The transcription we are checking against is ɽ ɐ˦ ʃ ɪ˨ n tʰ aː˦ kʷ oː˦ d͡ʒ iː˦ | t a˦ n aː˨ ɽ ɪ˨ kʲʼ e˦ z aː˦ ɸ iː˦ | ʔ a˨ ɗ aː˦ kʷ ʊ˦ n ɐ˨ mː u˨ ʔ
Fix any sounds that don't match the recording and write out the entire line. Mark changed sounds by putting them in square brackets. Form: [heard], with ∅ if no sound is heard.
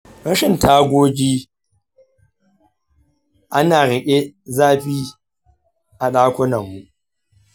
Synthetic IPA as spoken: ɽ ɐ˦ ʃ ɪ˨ n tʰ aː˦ [ɡʷ] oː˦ d͡ʒ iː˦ | [ʔ] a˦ n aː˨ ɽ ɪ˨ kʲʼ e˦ z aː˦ ɸ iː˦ | ʔ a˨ ɗ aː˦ kʷ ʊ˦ n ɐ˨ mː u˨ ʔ